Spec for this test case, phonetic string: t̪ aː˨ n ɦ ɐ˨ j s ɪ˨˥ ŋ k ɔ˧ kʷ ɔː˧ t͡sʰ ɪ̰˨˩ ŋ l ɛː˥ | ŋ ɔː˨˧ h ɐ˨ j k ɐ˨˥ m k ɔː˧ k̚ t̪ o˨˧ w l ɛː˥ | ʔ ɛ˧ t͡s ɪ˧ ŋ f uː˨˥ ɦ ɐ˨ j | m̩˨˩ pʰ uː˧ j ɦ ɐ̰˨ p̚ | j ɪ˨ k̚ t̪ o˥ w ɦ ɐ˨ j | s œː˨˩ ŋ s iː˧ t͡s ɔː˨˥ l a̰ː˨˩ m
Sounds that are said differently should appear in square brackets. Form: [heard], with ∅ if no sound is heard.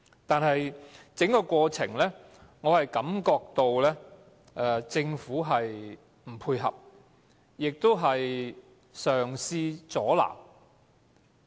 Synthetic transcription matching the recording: t̪ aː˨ n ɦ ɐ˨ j [t͡s] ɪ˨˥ ŋ k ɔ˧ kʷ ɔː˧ t͡sʰ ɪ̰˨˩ ŋ l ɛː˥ | ŋ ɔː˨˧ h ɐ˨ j k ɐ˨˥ m k ɔː˧ k̚ t̪ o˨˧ w l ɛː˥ | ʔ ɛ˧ t͡s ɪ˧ ŋ f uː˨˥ ɦ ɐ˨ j | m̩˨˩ pʰ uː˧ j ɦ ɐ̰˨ p̚ | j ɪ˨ k̚ t̪ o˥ w ɦ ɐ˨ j | s œː˨˩ ŋ s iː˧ t͡s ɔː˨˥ l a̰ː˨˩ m